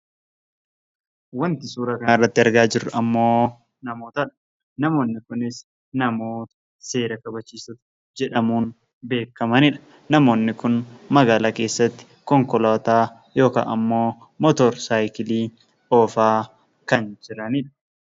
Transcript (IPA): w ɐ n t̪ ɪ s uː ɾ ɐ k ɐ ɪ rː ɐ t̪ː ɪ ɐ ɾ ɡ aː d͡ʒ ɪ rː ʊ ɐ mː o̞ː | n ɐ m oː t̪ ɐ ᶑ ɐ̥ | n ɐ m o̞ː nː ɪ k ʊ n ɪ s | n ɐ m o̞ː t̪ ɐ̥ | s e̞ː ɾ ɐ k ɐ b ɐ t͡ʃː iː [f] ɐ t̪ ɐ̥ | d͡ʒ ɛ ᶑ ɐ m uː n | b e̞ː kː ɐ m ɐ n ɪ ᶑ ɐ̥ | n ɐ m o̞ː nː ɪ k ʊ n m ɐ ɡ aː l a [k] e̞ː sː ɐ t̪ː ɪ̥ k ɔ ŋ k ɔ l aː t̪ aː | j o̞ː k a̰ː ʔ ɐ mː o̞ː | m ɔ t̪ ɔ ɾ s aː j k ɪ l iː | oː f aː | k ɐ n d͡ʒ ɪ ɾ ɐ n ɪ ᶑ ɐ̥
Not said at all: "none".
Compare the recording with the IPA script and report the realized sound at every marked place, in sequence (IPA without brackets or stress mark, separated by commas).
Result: s, k